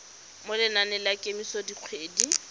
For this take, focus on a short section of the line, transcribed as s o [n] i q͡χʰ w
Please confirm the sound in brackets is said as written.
no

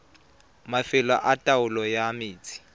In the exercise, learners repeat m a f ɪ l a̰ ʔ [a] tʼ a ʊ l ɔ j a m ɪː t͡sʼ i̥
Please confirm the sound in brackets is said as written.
yes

